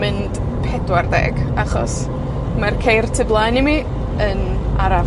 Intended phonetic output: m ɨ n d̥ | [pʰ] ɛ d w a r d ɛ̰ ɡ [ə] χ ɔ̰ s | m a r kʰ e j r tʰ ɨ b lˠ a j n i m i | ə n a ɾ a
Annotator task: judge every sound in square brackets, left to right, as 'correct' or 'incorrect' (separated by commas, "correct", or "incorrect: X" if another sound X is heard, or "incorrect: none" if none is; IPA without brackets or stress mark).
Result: correct, incorrect: a